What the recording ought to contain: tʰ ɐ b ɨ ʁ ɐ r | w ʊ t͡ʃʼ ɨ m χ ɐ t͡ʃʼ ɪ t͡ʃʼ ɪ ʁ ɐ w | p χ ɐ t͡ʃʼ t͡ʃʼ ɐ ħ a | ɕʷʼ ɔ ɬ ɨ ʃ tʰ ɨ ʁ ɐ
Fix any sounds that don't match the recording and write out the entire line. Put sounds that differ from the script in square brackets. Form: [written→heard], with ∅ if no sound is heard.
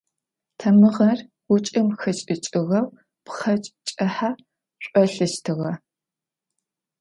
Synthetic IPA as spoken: tʰ ɐ [b→m] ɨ ʁ ɐ r | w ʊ t͡ʃʼ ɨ m [χ→x] ɐ t͡ʃʼ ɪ t͡ʃʼ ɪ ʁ ɐ w | p χ ɐ t͡ʃʼ t͡ʃʼ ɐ ħ a | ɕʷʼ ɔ ɬ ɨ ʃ tʰ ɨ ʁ ɐ